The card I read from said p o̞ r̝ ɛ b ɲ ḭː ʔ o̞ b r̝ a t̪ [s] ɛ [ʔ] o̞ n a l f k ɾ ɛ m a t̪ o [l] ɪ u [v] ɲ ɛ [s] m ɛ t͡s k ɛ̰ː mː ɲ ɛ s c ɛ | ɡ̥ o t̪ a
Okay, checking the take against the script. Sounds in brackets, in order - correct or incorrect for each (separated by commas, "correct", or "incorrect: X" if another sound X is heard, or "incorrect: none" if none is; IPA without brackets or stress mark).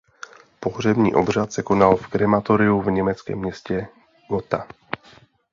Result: correct, incorrect: k, incorrect: ɾ, correct, incorrect: none